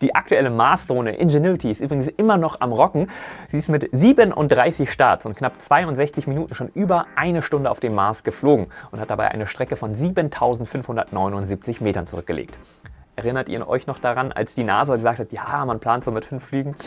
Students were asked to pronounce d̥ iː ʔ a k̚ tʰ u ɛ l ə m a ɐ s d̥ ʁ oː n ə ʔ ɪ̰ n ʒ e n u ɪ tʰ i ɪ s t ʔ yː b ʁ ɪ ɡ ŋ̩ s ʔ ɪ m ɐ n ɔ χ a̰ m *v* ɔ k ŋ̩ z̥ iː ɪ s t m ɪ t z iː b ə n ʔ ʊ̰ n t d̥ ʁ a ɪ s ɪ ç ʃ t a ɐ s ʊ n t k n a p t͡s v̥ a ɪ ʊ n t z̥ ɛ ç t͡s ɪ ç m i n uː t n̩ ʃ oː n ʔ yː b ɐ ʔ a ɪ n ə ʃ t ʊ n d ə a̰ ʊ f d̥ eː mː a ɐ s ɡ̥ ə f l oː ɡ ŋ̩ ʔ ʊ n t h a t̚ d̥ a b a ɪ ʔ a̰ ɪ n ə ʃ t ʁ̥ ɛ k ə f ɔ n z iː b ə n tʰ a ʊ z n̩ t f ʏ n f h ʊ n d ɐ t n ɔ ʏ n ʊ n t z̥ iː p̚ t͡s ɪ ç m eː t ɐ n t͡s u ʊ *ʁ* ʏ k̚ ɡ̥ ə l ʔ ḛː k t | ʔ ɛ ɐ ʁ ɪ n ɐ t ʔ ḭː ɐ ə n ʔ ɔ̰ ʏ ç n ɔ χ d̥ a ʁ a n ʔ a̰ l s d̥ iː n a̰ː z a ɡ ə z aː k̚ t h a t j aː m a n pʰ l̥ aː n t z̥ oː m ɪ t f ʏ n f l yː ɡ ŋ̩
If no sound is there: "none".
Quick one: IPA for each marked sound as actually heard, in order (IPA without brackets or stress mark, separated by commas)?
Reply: ʁ, ʁ